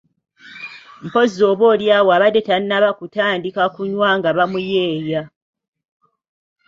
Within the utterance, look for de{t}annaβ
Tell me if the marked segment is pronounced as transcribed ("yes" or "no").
yes